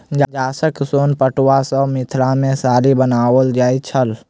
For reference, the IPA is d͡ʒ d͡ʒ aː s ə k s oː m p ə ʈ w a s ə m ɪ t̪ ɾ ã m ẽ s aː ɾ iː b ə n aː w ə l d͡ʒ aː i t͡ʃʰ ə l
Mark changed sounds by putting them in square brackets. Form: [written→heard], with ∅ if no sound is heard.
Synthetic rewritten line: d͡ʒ d͡ʒ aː s ə k s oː [m→n] p ə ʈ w a s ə m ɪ [t̪→t̪ʰ] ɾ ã m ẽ s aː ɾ [iː→i] b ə n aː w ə l d͡ʒ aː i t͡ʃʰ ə l